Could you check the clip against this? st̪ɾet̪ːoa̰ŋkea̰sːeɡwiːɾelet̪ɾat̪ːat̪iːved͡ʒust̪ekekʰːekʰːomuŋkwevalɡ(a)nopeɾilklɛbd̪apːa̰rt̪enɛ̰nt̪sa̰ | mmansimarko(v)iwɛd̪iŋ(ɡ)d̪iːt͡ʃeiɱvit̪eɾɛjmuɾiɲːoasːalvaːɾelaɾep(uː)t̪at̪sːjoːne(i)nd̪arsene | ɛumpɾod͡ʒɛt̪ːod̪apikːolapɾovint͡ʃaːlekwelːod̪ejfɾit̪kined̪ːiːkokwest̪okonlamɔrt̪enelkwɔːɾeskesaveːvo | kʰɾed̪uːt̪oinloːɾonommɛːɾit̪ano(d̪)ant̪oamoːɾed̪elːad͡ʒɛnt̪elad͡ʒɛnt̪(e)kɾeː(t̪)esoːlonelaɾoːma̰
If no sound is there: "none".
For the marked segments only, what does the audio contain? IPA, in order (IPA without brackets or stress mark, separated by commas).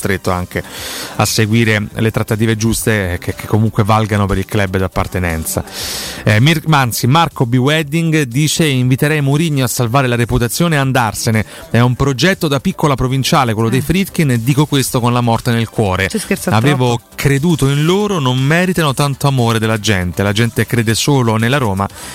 a, b, ɡ, u, a, t̪, e, d̪